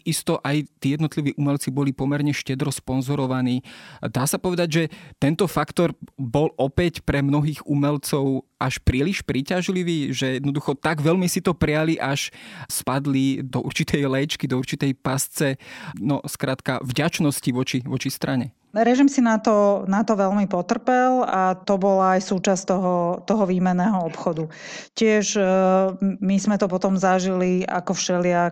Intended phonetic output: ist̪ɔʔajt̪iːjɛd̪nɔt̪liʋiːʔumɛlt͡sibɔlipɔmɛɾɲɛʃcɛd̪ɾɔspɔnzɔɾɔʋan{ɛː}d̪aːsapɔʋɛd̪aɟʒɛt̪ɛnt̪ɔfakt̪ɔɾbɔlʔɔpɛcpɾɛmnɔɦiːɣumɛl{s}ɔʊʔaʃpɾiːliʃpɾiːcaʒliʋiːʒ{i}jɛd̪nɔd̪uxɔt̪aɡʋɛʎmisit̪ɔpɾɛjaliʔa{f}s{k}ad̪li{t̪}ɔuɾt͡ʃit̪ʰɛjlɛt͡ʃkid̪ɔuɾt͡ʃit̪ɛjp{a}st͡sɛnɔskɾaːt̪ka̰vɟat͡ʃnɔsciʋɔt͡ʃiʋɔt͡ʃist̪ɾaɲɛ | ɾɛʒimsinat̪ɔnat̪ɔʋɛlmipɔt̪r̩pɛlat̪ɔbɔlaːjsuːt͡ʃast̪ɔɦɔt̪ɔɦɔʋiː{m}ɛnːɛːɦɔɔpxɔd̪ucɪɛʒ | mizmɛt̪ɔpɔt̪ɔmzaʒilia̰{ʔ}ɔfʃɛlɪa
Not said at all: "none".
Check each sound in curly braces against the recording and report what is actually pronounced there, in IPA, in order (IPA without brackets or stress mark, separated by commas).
iː, t͡s, ɛ, ʃ, p, d̪, a, m, k